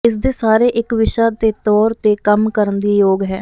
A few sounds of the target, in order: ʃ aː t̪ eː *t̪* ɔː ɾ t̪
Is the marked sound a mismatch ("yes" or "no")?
no